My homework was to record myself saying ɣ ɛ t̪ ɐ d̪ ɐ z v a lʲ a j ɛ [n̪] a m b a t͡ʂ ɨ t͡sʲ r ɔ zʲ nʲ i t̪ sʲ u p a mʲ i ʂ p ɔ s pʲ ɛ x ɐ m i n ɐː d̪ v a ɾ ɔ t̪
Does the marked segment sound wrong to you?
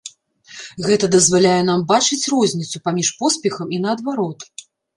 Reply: no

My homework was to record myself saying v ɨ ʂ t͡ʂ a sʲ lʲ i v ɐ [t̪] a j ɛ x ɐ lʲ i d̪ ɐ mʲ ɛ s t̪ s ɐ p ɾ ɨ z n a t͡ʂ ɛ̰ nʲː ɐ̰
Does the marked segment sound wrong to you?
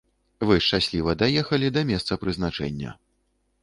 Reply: yes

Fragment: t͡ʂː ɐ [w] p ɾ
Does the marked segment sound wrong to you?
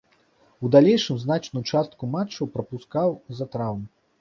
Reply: no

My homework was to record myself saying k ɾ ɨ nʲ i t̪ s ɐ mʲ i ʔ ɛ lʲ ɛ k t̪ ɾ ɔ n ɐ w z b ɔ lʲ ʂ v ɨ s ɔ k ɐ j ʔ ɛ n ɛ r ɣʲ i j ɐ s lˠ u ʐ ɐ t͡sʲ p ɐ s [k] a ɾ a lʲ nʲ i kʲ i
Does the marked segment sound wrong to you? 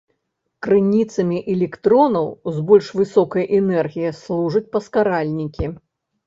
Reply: no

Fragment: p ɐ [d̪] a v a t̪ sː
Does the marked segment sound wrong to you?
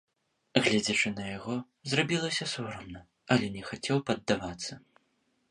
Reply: yes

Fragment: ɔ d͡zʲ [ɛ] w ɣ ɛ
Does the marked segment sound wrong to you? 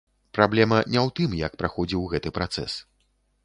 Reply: yes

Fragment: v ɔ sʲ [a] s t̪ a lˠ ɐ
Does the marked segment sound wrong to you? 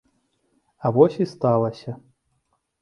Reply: yes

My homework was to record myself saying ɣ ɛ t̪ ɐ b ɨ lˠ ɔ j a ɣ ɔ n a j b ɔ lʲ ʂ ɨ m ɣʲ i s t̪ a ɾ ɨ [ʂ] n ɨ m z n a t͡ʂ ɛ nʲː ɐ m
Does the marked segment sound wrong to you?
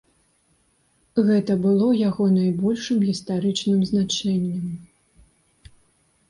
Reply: yes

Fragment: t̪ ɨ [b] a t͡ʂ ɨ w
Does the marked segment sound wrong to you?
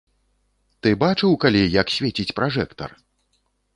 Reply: no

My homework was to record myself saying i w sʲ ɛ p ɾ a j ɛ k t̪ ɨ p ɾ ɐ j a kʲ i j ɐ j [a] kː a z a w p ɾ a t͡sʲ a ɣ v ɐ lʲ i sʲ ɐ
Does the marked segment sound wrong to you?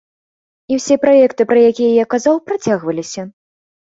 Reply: no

